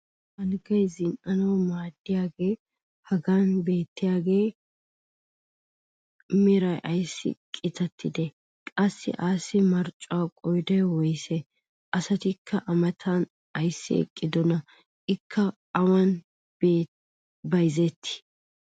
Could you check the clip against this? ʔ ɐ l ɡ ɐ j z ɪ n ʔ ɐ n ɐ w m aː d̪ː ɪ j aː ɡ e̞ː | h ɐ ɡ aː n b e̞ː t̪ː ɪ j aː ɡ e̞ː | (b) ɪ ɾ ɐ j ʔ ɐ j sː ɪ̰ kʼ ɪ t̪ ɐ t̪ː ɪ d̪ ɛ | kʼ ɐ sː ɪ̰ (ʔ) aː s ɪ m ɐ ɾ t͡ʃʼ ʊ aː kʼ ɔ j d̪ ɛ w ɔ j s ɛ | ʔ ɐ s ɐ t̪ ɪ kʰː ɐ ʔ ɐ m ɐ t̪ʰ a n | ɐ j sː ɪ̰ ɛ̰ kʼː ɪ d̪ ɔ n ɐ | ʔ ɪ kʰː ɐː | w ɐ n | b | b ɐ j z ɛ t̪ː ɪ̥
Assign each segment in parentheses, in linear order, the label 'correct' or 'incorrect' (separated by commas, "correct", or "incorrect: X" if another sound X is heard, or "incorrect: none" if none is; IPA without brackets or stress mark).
incorrect: m, correct